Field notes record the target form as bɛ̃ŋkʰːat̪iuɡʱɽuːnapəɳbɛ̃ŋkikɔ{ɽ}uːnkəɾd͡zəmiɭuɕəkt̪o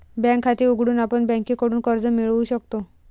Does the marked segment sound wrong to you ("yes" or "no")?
no